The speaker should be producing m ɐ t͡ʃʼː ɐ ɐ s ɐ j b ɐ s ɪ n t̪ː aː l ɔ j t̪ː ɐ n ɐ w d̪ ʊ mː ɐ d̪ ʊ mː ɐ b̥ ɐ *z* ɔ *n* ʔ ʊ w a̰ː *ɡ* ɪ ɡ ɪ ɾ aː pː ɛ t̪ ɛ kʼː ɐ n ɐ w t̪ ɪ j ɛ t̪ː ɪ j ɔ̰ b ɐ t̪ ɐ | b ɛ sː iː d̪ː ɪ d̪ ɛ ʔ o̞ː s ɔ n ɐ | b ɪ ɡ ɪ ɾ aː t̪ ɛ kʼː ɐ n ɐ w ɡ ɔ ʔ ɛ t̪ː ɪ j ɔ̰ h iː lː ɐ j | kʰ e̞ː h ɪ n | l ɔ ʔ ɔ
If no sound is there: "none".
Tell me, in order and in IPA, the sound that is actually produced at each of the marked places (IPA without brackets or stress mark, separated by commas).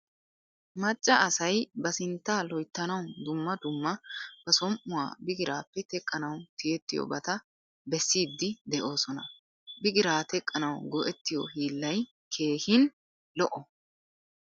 s, m, b